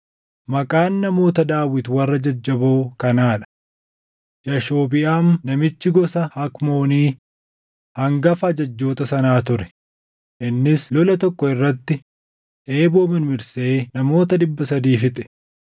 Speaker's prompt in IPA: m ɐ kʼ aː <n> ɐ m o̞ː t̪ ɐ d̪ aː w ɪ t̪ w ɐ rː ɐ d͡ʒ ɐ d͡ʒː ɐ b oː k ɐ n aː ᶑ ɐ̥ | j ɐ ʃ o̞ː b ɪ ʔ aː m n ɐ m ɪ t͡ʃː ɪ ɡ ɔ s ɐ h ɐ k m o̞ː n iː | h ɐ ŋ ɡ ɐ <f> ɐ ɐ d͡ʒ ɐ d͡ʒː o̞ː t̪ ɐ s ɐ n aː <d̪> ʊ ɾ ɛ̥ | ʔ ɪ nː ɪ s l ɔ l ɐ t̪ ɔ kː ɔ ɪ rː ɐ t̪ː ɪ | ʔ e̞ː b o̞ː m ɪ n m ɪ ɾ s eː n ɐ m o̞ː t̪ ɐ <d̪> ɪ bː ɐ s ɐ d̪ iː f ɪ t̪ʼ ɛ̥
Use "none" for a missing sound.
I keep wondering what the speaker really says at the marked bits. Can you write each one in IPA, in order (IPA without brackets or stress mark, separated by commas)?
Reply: nː, f, t̪, d̪